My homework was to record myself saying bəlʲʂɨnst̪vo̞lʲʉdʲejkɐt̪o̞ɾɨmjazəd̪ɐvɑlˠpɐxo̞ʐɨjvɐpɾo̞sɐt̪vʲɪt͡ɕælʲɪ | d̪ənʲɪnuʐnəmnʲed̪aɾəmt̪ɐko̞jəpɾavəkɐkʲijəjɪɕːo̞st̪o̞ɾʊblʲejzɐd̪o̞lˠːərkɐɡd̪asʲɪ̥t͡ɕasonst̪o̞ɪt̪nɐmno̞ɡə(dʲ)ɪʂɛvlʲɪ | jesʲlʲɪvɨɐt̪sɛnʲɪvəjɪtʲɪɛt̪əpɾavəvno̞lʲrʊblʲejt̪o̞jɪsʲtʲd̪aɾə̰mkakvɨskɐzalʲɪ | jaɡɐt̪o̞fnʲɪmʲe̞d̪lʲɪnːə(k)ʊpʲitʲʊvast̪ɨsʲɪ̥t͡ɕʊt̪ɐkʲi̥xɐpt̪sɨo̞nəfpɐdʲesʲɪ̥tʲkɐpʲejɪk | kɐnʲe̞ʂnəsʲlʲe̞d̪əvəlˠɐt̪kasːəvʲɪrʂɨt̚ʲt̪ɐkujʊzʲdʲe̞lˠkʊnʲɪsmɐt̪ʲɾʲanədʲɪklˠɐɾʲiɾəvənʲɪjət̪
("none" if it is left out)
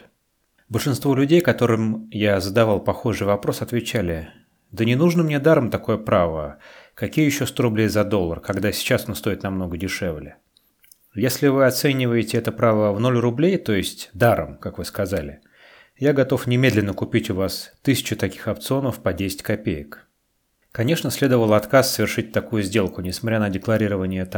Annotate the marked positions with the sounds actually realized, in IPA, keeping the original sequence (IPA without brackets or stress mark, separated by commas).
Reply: dʲ, k